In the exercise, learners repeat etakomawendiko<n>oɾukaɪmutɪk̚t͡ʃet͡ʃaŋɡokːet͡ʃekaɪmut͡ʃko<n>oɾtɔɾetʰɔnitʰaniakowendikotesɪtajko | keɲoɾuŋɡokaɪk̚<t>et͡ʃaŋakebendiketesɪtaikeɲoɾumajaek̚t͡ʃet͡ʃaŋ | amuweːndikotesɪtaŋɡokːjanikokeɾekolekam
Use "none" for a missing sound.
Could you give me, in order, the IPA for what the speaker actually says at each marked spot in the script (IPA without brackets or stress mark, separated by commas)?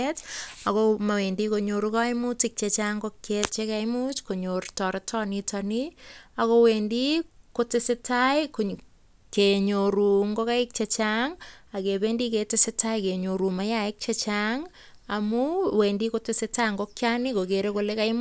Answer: ɲ, ɲ, t͡ʃ